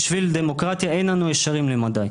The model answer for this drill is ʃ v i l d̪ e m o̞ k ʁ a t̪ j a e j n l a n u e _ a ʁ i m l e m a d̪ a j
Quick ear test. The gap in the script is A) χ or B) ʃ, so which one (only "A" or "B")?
B